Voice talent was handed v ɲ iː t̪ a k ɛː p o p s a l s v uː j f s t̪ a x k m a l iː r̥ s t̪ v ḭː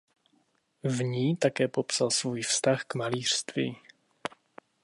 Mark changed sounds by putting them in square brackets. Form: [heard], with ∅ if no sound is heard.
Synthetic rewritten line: v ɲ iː t̪ a k ɛː p o p s a l s v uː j f s t̪ a x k m a l iː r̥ s t̪ v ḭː